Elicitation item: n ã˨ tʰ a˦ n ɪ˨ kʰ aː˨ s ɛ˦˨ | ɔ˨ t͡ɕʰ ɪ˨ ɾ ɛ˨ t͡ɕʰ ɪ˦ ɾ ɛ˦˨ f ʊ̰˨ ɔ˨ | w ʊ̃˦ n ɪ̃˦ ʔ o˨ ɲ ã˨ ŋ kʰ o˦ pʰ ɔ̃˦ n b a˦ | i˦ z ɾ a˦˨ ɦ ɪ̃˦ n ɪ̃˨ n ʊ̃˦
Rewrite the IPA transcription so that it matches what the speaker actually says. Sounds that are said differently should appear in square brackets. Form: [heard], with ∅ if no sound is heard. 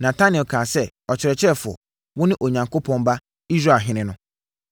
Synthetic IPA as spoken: n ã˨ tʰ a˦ n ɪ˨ kʰ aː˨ s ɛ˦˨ | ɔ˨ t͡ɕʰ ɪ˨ ɾ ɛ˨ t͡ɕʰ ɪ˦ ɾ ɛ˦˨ f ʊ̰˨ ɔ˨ | w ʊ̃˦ n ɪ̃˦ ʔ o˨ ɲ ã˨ ŋ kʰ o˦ pʰ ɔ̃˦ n b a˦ | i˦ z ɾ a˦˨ ɦ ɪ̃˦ n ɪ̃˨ n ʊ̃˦